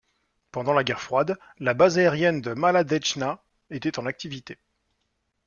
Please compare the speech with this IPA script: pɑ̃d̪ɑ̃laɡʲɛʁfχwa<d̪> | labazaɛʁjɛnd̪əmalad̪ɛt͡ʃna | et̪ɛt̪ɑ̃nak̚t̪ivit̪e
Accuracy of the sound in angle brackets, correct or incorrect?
correct